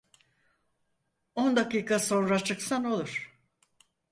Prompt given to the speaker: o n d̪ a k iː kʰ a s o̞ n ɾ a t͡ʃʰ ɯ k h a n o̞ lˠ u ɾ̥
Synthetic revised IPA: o n d̪ a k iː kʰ a s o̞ n ɾ a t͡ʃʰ ɯ k s a n o̞ lˠ u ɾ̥